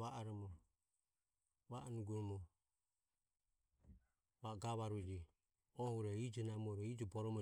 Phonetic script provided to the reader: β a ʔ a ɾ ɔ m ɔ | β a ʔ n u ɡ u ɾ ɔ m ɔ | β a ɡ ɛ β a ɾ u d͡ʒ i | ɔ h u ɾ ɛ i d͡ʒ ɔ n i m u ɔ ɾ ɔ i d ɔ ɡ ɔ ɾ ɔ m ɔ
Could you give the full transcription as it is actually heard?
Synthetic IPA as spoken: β a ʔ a ɾ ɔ m ɔ | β a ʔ n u ɡ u ɾ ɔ m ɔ | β a ɡ a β a ɾ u d͡ʒ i | ɔ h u ɾ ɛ i d͡ʒ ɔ n a m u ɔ ɾ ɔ i d͡ʒ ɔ b ɔ ɾ ɔ m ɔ

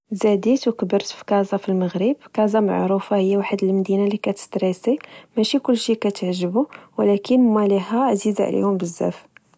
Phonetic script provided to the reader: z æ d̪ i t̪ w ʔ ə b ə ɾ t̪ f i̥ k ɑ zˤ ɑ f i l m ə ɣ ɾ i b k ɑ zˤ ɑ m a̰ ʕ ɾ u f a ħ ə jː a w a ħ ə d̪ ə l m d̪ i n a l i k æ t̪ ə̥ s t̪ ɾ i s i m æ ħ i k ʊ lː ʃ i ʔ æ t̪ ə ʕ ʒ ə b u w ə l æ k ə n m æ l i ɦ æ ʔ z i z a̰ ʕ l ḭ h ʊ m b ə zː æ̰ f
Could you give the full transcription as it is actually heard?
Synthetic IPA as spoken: z æ d̪ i t̪ w k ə b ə ɾ t̪ f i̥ k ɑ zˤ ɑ f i l m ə ɣ ɾ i b k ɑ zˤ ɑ m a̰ ʕ ɾ u f a h ə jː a w a ħ ə d̪ ə l m d̪ i n a l i k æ t̪ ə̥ s t̪ ɾ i s i m æ ʃ i k ʊ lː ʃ i k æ t̪ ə ʕ ʒ ə b u w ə l æ k ə n m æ l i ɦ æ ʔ z i z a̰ ʕ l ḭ h ʊ m b ə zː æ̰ f

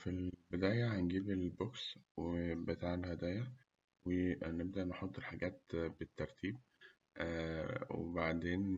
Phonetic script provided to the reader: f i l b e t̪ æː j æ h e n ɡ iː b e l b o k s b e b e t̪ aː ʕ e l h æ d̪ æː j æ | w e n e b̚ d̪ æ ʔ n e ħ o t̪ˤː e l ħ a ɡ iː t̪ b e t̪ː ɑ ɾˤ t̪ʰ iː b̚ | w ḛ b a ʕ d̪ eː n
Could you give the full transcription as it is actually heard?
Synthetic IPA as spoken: f i l b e d̪ æː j æ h æ n ɡ iː b e l b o k s w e b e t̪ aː ʕ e l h æ d̪ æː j æ | w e n e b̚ d̪ æ ʔ n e ħ o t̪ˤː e l ħ a ɡ æː t̪ b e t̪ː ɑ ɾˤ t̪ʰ iː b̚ | w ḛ b a ʕ d̪ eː n

